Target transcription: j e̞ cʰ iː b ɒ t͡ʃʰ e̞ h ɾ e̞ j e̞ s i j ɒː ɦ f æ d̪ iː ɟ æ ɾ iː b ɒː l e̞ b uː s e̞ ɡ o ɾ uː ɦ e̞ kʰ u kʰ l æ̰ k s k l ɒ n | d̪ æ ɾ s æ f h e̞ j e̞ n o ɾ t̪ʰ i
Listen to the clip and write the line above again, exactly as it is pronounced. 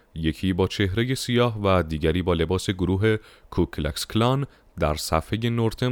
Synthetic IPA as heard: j e̞ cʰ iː b ɒː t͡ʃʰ e̞ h ɾ e̞ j e̞ s i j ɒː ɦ v æ d̪ iː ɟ æ ɾ iː b ɒː l e̞ b ɒː s e̞ ɡ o ɾ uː ɦ e̞ kʰ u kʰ l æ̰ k s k l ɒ n | d̪ æ ɾ s æ f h e̞ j e̞ n o ɾ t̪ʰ e